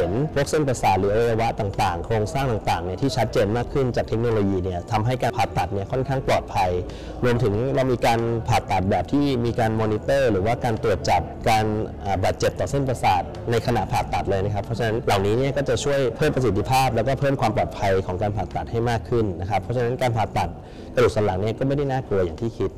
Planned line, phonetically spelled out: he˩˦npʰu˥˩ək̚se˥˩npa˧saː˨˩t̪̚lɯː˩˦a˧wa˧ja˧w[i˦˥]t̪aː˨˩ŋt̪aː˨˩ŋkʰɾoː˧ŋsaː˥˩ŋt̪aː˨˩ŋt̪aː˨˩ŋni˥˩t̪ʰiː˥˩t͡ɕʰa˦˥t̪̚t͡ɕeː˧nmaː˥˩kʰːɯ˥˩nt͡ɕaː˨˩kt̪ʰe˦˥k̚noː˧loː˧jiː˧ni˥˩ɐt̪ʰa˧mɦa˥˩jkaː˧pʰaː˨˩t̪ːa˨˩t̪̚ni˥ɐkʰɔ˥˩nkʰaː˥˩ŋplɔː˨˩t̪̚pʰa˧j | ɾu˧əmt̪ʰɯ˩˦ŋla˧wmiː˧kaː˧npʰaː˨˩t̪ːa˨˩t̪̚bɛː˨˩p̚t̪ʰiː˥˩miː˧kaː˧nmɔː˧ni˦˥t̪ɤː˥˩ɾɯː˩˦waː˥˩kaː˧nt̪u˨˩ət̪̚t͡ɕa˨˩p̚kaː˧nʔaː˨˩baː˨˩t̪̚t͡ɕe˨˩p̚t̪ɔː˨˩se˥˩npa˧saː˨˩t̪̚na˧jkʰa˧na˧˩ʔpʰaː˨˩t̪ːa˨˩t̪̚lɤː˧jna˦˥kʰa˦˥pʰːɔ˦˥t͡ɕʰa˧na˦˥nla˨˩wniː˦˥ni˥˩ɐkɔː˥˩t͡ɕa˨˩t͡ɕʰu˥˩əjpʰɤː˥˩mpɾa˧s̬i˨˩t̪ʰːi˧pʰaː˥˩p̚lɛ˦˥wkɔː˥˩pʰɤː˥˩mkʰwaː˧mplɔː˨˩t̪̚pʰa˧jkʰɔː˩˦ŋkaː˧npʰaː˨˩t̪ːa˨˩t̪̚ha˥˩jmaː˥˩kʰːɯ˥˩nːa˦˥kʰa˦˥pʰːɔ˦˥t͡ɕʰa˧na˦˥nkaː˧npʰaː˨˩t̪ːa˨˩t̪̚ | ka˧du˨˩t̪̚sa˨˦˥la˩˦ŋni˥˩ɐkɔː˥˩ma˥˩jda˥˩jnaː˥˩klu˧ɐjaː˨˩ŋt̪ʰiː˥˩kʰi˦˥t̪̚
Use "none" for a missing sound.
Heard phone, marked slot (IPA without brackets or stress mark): a˦˥